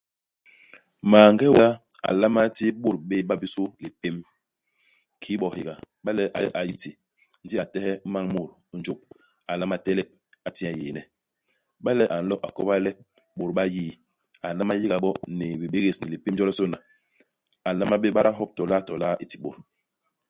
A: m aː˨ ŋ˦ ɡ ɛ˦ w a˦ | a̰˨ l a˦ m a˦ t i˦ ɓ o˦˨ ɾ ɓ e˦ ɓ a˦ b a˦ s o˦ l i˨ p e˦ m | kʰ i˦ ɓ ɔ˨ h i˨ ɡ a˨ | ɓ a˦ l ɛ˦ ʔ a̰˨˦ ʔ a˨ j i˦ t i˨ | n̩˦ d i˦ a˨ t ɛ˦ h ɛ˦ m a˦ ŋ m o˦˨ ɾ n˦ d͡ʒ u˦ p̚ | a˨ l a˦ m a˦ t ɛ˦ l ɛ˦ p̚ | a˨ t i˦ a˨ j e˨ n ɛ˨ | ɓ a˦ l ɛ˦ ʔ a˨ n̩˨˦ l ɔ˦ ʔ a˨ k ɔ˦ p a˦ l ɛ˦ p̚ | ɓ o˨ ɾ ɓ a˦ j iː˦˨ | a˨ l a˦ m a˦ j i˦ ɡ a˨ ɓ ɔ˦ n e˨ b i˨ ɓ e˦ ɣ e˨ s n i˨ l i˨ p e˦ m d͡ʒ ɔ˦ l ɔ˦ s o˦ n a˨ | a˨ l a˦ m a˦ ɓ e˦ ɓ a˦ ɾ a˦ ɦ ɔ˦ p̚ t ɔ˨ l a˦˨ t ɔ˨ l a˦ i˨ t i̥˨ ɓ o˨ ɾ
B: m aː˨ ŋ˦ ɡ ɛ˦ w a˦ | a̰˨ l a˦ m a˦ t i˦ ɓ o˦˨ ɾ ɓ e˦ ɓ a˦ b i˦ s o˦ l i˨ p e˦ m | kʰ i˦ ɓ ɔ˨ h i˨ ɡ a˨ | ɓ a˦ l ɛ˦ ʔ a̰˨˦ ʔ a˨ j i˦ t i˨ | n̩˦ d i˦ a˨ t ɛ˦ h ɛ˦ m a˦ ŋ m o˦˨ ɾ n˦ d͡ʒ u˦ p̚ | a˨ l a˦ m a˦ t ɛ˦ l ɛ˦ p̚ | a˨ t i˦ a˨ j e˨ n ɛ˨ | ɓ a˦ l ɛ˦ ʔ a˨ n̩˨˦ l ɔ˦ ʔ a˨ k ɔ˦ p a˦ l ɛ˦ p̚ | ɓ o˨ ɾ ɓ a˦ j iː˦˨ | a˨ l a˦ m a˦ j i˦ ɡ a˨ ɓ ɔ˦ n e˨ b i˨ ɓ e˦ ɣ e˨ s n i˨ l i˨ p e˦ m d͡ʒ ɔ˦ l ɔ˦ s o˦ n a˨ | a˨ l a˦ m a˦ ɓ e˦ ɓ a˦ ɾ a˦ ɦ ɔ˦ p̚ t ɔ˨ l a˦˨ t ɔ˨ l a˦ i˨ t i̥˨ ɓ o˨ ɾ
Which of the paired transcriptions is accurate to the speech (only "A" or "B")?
B